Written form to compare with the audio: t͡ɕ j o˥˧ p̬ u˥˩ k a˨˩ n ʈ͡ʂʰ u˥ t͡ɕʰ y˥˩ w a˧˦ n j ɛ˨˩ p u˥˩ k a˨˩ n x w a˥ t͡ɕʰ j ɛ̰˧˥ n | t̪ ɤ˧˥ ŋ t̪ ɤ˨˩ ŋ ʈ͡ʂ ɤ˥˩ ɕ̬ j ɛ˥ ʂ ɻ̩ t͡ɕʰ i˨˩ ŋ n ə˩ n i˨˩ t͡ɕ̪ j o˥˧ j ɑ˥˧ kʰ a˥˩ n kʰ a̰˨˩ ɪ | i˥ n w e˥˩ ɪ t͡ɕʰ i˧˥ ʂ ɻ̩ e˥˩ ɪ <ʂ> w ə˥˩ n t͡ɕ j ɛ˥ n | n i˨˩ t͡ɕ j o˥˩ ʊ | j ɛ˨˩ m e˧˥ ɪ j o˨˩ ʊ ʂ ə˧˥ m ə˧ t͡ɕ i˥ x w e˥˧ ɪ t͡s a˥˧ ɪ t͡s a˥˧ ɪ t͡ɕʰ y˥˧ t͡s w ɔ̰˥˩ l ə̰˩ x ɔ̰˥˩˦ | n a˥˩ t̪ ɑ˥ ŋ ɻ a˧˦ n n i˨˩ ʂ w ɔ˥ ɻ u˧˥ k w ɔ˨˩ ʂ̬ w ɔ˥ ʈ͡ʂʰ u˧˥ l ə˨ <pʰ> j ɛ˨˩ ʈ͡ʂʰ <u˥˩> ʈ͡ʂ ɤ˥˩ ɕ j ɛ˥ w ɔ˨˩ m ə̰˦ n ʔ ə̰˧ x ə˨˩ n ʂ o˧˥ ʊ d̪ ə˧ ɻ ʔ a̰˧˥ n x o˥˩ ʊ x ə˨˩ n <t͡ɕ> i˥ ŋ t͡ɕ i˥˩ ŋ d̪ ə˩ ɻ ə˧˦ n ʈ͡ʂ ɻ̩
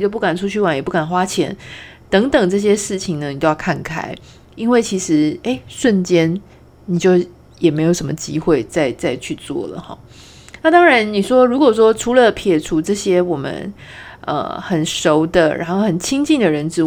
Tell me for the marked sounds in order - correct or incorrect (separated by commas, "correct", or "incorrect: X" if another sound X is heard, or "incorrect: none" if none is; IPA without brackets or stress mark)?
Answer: correct, correct, incorrect: u˧˥, incorrect: t͡ɕʰ